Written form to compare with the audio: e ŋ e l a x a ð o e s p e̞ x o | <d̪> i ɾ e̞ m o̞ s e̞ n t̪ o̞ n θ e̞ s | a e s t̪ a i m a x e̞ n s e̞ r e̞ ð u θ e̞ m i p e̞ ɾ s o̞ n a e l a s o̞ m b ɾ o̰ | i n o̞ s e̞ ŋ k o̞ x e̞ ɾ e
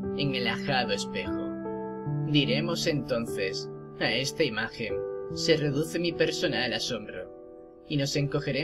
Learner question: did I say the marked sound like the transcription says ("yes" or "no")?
yes